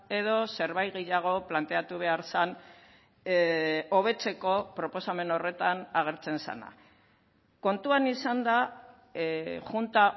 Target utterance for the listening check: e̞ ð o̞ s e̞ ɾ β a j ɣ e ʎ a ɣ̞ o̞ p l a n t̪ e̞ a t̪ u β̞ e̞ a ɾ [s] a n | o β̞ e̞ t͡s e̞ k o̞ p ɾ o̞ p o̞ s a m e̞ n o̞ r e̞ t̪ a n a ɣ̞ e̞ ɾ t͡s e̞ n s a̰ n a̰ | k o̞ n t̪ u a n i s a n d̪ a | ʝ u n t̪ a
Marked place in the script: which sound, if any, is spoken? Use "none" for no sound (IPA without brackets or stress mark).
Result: s